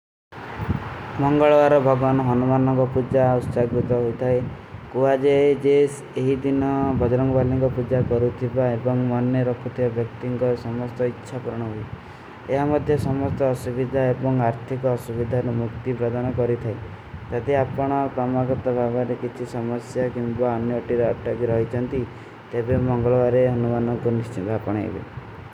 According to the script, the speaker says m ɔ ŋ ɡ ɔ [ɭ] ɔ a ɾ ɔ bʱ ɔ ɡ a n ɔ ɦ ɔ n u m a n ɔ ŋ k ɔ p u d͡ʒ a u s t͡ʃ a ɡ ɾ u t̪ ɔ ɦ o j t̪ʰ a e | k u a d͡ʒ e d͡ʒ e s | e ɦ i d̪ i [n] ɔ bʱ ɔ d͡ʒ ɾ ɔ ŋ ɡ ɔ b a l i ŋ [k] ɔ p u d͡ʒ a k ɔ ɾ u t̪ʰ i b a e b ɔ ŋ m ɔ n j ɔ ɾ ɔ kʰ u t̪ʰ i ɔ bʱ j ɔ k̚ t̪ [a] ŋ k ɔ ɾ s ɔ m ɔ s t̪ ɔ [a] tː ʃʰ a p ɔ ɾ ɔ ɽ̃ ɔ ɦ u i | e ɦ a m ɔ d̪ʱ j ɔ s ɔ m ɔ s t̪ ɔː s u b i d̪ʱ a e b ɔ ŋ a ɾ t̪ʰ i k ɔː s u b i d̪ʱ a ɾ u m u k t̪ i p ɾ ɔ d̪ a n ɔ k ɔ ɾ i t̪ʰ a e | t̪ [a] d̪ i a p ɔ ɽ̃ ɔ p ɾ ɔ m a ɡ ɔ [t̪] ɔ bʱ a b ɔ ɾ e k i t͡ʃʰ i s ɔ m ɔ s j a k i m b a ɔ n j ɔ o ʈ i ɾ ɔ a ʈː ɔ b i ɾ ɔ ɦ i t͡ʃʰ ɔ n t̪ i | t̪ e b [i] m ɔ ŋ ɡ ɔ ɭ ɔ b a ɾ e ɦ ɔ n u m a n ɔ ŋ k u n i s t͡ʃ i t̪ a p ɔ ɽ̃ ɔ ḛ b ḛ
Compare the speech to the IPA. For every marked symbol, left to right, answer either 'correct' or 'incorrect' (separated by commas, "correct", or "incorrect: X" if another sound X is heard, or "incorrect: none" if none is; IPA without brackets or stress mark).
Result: correct, correct, correct, incorrect: i, incorrect: i, correct, correct, incorrect: e